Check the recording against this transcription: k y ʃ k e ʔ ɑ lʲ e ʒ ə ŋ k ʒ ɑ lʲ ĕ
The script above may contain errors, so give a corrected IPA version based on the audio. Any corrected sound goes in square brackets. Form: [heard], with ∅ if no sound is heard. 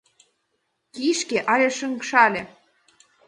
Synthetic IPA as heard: k [i] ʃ k e ʔ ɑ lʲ e [ʃ] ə ŋ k [ʃ] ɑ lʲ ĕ